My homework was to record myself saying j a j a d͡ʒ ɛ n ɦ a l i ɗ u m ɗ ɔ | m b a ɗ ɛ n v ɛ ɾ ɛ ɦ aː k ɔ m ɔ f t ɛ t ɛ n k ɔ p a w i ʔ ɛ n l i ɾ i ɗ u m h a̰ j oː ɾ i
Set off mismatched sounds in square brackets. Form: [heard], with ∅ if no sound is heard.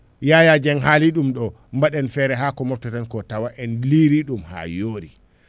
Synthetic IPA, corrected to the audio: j a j a d͡ʒ ɛ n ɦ a l i ɗ u m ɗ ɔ | m b a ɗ ɛ n [f] ɛ ɾ ɛ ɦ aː k ɔ m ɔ f t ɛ t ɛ n k ɔ [t] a w [a] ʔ ɛ n l i ɾ i ɗ u m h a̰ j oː ɾ i